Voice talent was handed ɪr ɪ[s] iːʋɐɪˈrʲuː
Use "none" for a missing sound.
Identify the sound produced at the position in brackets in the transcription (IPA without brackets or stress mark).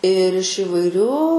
ʃ